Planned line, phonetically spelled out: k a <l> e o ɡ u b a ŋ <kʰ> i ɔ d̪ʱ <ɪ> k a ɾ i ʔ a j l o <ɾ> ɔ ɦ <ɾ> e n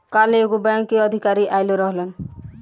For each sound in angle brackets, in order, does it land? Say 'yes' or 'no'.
yes, no, no, yes, no

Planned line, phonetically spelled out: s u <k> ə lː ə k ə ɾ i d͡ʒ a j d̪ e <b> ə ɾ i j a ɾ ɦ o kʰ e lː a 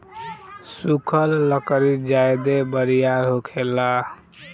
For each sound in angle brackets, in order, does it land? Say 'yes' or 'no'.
no, yes

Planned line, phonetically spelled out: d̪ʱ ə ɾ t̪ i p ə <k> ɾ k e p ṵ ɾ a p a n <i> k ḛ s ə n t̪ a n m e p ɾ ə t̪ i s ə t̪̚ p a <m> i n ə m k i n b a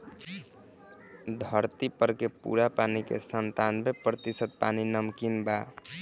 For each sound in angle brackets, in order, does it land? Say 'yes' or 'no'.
no, yes, no

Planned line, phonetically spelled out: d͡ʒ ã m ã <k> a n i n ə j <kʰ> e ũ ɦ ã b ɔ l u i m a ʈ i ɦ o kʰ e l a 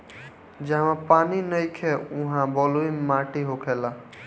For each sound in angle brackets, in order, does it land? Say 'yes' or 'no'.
no, yes

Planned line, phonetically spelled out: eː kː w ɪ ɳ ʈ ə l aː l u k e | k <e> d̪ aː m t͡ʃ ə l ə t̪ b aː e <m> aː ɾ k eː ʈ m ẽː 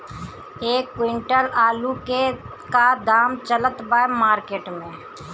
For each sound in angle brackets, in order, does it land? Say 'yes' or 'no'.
no, yes

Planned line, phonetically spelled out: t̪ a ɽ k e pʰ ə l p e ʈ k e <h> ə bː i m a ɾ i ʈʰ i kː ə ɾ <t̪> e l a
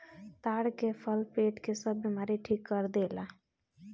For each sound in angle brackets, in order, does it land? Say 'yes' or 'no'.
no, no

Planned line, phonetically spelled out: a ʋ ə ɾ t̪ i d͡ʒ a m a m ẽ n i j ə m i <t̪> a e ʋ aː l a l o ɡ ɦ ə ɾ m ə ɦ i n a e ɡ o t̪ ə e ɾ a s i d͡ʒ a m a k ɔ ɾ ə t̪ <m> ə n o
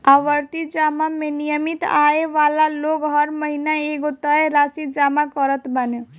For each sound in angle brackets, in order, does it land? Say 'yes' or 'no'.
yes, no

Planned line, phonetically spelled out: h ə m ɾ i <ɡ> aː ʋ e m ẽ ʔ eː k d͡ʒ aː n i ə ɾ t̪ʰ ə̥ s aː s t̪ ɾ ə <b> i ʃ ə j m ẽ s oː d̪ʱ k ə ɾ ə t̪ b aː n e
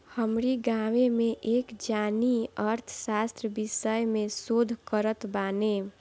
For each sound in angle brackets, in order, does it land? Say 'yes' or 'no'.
yes, yes

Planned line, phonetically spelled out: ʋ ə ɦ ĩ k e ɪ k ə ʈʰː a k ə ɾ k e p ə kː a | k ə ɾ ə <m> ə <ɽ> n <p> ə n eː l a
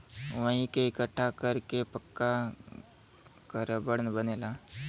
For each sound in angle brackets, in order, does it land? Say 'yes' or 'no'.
no, yes, no

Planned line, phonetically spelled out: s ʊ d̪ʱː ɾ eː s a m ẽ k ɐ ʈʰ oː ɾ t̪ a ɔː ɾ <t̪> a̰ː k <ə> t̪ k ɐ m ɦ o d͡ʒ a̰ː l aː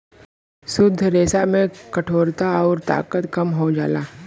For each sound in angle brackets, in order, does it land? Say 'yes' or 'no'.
yes, yes

